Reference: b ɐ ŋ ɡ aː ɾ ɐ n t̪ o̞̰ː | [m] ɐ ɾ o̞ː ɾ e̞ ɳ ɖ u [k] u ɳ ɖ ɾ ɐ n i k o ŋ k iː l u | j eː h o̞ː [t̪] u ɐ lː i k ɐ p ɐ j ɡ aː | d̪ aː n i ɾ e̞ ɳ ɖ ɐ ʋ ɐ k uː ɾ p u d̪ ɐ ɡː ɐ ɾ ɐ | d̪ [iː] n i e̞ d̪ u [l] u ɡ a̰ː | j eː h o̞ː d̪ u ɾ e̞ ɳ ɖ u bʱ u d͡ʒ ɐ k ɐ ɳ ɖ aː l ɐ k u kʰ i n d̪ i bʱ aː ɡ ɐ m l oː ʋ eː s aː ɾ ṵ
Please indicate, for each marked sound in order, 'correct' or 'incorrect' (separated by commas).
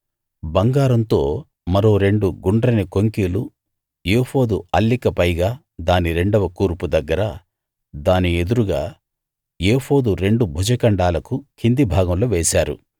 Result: correct, incorrect, incorrect, incorrect, incorrect